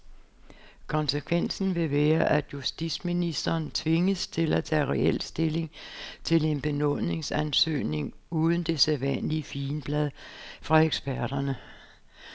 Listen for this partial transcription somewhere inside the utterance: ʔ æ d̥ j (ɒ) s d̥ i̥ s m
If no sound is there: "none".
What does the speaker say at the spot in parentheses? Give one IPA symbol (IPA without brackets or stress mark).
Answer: u